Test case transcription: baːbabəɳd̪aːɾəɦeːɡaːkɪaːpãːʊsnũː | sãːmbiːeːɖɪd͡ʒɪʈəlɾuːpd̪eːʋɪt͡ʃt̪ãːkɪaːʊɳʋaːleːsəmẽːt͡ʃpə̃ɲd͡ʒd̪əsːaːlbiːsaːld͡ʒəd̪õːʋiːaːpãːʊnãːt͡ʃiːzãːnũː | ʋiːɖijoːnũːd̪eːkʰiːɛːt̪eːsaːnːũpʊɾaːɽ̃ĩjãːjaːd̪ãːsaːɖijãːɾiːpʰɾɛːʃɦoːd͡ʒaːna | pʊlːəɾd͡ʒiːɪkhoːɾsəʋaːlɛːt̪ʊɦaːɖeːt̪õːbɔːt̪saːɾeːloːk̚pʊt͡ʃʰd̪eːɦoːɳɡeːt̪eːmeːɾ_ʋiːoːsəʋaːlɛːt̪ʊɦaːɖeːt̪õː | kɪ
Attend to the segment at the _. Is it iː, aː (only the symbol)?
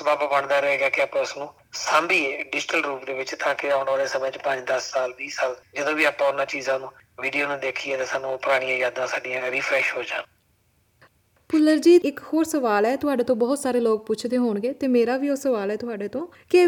aː